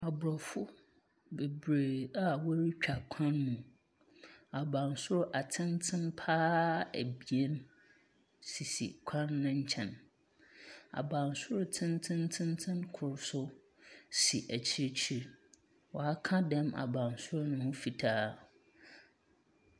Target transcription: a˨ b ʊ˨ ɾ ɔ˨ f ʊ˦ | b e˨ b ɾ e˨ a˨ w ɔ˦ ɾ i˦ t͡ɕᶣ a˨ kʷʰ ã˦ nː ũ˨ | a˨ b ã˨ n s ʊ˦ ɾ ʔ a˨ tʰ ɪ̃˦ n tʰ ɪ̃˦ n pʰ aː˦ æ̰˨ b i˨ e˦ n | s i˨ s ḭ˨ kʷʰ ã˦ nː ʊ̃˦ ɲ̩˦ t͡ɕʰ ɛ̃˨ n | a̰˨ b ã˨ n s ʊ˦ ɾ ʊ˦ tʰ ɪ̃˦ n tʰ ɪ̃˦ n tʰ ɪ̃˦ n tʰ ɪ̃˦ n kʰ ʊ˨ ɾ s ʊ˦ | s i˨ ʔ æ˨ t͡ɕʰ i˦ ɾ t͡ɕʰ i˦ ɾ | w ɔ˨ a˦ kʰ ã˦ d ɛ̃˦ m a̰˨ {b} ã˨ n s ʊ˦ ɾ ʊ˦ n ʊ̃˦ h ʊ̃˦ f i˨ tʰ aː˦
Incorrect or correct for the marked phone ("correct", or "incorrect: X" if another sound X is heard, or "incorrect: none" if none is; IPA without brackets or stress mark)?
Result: correct